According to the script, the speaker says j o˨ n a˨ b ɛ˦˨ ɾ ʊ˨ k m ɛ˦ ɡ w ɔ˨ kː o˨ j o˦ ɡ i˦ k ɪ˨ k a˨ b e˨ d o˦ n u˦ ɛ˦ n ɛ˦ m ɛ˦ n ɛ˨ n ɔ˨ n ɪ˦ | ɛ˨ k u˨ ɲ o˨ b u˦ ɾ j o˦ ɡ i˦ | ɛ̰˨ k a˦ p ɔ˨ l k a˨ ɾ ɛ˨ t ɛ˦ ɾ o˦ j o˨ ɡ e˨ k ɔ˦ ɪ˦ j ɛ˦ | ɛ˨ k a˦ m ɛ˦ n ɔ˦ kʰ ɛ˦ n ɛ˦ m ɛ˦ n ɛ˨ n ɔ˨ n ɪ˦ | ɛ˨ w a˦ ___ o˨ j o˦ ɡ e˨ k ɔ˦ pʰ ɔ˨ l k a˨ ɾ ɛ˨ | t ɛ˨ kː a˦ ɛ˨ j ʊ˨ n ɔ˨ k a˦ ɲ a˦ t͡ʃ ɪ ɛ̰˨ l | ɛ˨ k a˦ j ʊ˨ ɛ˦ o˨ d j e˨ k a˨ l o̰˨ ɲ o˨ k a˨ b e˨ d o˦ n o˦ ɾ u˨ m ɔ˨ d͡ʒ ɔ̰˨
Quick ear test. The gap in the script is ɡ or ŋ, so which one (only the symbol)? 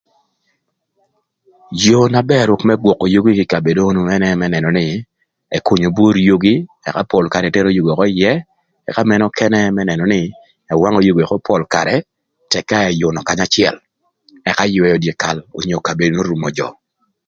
ŋ